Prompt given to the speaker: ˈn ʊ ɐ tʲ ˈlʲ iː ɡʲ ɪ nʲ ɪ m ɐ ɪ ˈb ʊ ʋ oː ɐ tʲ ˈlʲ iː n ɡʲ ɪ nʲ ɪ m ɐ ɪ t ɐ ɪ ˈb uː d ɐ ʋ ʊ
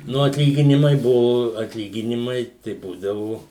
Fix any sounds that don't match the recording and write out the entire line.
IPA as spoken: ˈn ʊ ɐ tʲ ˈlʲ iː ɡʲ ɪ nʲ ɪ m ɐ ɪ ˈb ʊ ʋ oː ɐ tʲ ˈlʲ iː ɡʲ ɪ nʲ ɪ m ɐ ɪ t ɐ ɪ ˈb uː d ɐ ʋ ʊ